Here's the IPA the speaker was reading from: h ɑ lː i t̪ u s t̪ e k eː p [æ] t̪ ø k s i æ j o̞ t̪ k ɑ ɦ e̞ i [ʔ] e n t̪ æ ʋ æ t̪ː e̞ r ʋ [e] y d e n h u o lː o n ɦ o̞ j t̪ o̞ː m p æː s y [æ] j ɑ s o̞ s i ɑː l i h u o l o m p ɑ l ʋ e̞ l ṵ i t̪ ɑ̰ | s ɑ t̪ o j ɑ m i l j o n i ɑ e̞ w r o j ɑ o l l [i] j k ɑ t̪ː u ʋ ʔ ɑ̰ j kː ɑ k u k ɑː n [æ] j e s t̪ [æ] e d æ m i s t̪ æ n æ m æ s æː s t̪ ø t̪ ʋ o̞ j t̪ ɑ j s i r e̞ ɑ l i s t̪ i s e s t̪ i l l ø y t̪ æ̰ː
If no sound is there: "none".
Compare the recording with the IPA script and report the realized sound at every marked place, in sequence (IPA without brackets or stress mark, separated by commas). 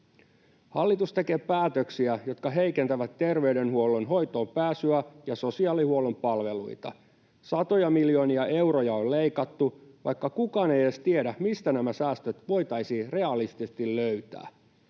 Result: æː, k, e, æ, e, e, i